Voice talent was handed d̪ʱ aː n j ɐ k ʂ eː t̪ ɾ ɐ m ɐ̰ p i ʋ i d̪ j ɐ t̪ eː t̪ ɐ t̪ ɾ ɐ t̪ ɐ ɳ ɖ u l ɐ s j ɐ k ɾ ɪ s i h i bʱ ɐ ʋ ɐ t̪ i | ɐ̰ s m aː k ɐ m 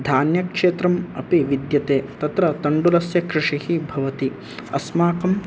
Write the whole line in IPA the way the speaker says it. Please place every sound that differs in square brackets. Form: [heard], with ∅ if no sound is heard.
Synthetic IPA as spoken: d̪ʱ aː n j ɐ k ʂ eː t̪ ɾ ɐ m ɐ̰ p i ʋ i d̪ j ɐ t̪ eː t̪ ɐ t̪ ɾ ɐ t̪ ɐ ɳ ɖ u l ɐ s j ɐ k ɾ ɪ [ʂ] i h i bʱ ɐ ʋ ɐ t̪ i | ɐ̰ s m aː k ɐ m

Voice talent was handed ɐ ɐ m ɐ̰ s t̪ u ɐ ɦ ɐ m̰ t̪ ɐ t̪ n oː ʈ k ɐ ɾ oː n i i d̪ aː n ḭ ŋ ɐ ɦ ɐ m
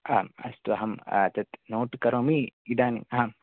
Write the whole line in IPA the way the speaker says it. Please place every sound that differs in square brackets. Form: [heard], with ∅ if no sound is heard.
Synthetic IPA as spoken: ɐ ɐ m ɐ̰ s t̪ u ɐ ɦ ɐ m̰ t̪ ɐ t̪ n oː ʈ k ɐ ɾ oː [m] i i d̪ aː n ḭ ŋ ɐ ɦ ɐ m

